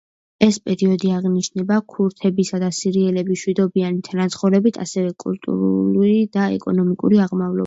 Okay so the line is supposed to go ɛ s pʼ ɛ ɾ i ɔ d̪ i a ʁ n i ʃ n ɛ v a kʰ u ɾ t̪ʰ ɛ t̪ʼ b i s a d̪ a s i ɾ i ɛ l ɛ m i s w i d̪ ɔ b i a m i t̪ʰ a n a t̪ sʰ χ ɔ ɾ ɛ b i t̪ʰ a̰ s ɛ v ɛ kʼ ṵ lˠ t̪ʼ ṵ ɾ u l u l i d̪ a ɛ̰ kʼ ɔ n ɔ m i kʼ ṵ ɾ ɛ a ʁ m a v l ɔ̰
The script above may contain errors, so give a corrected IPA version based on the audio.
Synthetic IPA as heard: ɛ s pʼ ɛ ɾ i ɔ d̪ i a ʁ n i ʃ n ɛ b a kʰ u ɾ t̪ʰ ɛ b i s a d̪ a s i ɾ i ɛ l ɛ b i ʃ w i d̪ ɔ b i a n i t̪ʰ a n a t̪ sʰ χ ɔ ɾ ɛ b i t̪ʰ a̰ s ɛ v ɛ kʼ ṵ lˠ t̪ʼ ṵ ɾ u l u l i d̪ a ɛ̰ kʼ ɔ n ɔ m i kʼ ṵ ɾ i a ʁ m a v l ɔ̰